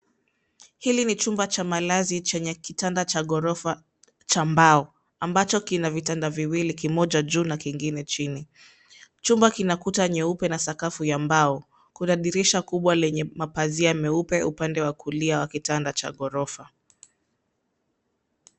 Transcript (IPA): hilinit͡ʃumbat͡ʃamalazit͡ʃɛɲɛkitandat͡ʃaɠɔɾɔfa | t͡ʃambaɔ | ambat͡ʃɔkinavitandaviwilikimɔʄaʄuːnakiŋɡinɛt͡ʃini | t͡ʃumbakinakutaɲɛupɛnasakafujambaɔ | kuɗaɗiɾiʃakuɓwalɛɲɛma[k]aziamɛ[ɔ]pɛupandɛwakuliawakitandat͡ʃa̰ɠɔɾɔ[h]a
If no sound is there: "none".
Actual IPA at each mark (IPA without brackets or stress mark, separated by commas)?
p, u, f